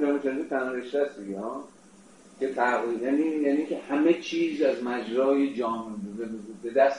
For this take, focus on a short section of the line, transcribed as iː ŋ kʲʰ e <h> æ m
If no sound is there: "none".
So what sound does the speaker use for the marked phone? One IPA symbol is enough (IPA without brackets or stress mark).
h